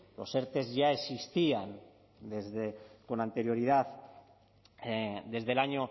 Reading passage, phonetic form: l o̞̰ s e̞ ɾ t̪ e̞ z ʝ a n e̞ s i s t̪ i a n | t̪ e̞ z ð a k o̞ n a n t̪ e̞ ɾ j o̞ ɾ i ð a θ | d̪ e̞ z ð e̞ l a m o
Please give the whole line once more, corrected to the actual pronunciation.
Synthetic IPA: l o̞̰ s e̞ ɾ t̪ e̞ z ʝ a e̞ s i s t̪ i a n | d̪ e̞ z ð e k o̞ n a n t̪ e̞ ɾ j o̞ ɾ i ð a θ | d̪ e̞ z ð e̞ l a ɲ o